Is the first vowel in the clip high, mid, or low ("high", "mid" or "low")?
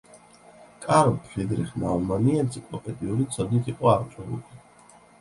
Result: low